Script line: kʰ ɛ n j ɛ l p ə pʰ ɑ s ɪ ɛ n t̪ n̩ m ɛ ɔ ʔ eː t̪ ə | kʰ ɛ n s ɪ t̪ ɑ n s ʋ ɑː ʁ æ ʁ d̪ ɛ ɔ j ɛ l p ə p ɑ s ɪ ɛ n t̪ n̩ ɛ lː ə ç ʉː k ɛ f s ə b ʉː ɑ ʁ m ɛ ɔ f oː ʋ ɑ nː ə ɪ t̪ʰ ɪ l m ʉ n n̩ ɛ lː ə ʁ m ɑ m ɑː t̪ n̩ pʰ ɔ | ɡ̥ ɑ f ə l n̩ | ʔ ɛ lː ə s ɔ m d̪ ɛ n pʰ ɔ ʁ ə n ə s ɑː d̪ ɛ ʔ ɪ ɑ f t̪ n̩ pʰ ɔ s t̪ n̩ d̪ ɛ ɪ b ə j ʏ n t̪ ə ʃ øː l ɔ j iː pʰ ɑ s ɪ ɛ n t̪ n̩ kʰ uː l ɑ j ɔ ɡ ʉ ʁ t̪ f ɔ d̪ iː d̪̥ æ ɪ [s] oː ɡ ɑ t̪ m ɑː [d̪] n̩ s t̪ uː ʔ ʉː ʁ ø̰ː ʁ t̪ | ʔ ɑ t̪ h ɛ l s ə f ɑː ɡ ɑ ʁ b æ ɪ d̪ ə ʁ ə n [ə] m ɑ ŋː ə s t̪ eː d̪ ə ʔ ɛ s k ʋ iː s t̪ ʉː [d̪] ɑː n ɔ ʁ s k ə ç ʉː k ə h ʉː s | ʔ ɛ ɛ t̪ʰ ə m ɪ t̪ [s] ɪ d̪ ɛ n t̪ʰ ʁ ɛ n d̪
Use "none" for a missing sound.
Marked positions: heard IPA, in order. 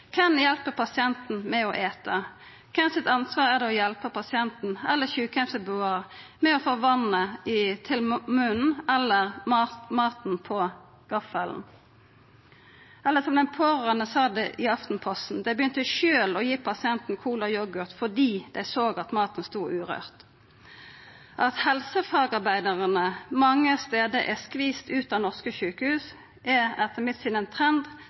s, t̪, ə, t̪, s

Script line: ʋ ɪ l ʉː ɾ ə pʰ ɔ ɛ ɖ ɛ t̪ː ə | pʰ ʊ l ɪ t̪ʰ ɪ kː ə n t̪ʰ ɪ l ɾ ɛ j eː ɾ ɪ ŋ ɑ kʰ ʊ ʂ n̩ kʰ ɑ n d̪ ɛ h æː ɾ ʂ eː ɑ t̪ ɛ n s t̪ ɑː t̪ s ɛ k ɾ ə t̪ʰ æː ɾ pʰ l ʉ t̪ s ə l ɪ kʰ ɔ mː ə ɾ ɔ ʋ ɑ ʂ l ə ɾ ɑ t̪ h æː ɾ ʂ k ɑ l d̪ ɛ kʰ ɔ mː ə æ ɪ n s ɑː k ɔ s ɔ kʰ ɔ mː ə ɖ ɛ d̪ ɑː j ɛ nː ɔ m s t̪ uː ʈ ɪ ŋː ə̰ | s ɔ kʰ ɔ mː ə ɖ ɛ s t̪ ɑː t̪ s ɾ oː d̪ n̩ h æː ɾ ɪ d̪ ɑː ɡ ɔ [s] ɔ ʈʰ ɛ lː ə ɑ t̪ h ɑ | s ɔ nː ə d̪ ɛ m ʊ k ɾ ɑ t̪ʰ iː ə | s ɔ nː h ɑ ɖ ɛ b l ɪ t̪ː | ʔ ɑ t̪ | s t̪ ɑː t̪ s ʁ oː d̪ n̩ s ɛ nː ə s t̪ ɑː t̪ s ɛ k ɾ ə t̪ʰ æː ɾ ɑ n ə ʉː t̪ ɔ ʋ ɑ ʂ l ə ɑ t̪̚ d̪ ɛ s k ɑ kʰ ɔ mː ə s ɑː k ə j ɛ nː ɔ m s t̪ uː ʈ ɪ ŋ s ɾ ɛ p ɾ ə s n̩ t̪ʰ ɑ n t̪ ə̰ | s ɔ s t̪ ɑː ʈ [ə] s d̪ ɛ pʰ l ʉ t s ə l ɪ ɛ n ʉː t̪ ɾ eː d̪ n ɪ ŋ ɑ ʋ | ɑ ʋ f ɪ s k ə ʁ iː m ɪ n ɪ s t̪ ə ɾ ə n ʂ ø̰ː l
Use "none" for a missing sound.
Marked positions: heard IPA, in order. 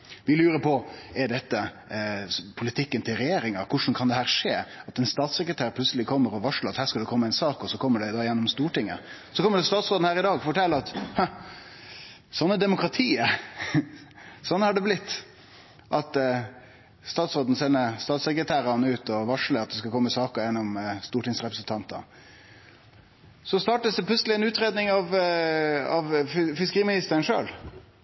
f, ə

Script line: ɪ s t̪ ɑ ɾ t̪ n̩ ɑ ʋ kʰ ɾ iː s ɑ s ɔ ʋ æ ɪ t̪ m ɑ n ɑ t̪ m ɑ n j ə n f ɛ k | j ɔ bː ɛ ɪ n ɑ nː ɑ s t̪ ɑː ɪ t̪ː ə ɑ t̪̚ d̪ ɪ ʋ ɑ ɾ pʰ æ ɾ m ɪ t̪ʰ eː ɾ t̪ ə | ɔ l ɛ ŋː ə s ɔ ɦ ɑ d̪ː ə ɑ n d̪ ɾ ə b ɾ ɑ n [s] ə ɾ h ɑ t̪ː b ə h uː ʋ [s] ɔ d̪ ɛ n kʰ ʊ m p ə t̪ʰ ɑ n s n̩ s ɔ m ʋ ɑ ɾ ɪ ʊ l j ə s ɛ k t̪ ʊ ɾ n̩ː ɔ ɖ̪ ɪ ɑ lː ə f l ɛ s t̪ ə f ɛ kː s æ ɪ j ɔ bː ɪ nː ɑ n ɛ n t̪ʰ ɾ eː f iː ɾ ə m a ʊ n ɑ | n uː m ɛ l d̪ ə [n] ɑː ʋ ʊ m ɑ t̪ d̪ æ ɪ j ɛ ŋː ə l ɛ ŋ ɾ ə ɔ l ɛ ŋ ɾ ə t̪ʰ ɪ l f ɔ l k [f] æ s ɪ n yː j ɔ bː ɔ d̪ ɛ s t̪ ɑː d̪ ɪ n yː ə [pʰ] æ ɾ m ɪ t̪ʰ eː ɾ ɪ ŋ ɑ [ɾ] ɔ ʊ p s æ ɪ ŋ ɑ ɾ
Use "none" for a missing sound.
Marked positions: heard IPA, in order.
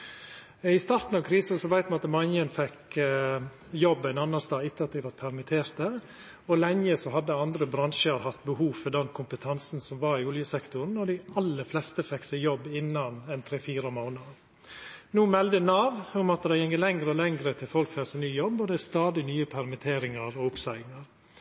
ʃ, f, n, f, pʰ, ɾ

